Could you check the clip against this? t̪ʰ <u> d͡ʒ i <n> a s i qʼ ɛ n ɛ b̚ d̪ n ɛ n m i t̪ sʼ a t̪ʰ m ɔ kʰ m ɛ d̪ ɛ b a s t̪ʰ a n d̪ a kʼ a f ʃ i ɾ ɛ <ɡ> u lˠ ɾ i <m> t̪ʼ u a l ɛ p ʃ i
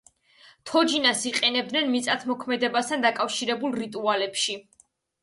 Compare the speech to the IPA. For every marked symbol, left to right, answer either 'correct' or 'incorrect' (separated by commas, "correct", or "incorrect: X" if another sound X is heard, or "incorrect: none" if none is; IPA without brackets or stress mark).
incorrect: ɔ, correct, incorrect: b, incorrect: none